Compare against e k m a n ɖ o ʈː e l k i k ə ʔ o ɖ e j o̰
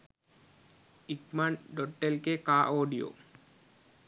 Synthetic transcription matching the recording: i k m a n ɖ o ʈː e l k e k a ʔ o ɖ i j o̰